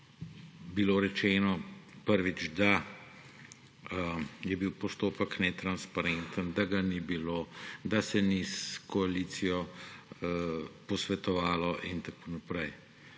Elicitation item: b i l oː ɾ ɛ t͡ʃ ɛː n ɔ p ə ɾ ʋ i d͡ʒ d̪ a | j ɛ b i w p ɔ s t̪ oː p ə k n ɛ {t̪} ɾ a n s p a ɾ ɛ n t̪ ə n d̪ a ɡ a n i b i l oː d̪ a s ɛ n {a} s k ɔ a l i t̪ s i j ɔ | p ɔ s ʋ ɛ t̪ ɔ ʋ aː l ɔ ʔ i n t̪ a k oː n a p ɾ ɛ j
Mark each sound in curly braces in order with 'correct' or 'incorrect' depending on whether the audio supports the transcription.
correct, incorrect: i

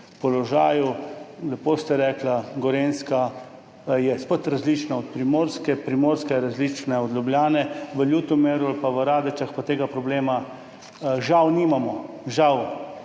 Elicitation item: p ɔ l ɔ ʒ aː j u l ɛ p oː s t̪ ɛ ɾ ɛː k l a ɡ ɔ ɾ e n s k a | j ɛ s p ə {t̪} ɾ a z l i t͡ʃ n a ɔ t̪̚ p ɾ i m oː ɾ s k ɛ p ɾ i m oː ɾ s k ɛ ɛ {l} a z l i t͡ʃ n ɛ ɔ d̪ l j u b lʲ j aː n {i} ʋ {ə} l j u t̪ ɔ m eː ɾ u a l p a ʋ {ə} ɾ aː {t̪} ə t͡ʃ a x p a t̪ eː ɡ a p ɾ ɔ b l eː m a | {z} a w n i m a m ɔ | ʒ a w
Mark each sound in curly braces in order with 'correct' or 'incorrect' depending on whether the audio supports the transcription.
correct, incorrect: ɾ, incorrect: ɛ, correct, correct, incorrect: d̪, incorrect: ʒ

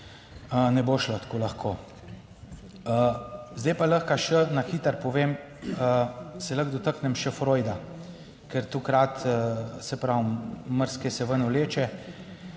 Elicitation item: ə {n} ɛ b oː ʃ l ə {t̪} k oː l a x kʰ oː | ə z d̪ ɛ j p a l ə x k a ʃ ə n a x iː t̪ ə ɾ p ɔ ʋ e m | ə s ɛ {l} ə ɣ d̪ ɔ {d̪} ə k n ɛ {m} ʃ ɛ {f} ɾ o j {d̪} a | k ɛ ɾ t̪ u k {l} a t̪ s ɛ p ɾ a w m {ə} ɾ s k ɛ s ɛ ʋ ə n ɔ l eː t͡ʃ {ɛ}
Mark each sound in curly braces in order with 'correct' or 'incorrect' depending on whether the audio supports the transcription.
correct, correct, correct, incorrect: t̪, correct, correct, correct, incorrect: ɾ, correct, correct

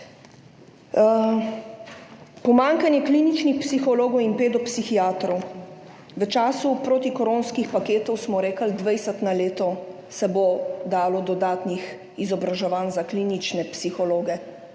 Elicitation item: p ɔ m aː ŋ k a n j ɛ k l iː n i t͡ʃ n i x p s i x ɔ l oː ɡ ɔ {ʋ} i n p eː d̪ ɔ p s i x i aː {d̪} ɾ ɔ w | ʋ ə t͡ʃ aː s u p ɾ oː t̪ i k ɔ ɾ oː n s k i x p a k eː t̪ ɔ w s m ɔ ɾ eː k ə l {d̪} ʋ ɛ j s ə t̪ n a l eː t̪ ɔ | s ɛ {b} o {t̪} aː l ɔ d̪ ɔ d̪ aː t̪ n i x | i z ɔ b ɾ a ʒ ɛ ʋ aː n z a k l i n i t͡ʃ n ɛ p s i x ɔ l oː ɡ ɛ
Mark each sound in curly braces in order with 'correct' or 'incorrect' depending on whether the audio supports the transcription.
incorrect: w, incorrect: t̪, correct, correct, incorrect: d̪

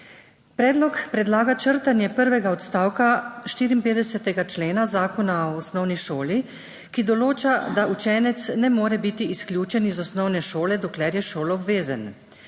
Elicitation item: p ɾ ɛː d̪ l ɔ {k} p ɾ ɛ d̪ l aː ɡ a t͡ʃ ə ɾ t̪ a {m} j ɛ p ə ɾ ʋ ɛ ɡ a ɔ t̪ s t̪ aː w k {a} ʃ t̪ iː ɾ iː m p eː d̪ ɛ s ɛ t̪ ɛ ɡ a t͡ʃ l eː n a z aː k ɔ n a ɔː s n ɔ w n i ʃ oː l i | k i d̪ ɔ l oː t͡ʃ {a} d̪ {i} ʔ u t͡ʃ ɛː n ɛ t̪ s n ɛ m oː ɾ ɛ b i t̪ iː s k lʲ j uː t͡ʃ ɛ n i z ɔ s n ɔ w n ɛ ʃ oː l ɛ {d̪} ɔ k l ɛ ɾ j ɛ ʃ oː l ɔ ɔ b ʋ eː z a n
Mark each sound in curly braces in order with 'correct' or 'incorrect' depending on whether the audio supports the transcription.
correct, incorrect: n, correct, correct, incorrect: a, correct

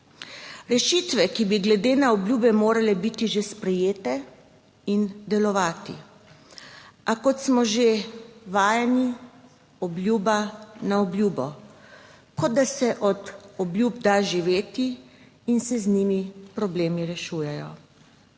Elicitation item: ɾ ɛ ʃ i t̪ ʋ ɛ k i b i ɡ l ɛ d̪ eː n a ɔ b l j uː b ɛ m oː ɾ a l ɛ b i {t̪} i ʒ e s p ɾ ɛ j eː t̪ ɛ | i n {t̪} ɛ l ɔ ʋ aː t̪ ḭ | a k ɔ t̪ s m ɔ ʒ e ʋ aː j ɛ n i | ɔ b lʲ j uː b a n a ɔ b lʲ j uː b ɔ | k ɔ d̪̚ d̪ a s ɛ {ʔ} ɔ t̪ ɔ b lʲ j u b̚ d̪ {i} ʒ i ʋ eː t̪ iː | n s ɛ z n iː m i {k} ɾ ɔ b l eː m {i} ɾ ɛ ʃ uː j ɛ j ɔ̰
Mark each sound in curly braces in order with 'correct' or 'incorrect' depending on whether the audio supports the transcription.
correct, incorrect: d̪, correct, incorrect: a, incorrect: p, correct

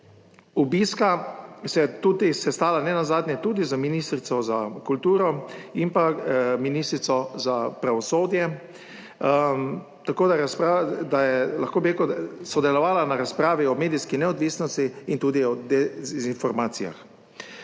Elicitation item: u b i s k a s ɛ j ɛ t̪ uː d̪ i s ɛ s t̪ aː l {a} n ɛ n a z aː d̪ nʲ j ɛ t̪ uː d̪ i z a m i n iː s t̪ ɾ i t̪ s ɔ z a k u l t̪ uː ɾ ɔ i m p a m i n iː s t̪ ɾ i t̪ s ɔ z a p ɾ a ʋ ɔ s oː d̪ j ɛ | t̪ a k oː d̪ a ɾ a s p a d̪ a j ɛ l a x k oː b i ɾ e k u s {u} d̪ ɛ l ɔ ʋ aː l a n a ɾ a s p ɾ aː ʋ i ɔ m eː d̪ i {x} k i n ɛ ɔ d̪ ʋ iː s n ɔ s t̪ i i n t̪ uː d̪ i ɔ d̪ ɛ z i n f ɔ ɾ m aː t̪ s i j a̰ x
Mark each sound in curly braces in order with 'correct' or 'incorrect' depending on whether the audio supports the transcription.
correct, incorrect: ɔ, incorrect: s

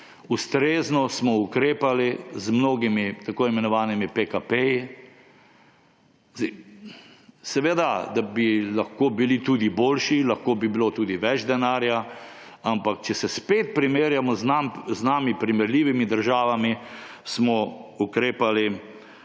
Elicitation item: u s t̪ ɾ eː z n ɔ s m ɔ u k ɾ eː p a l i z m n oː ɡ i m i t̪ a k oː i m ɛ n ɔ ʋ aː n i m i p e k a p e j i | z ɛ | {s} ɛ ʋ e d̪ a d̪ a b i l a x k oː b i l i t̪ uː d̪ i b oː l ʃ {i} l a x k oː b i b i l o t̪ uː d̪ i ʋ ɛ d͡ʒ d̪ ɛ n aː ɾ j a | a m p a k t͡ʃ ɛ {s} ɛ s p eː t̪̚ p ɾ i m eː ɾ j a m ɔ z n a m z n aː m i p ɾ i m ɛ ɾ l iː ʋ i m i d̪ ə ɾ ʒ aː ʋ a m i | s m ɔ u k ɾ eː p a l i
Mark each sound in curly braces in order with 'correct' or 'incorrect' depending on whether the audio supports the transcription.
correct, correct, correct

